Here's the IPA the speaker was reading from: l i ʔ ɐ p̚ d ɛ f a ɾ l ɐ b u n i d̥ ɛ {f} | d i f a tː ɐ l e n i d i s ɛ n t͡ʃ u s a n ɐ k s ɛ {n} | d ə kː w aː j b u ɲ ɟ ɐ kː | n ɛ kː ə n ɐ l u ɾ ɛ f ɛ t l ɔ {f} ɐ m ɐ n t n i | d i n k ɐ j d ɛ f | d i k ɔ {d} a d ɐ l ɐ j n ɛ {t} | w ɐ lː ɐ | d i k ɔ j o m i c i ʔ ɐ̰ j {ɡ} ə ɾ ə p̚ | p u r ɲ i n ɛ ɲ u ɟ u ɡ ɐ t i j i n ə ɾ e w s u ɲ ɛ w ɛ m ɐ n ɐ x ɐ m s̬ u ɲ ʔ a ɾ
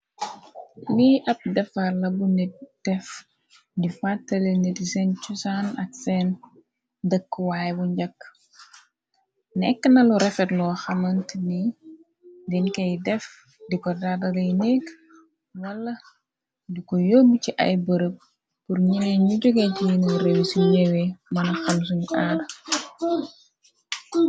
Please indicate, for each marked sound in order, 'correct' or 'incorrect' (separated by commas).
correct, correct, incorrect, correct, incorrect, incorrect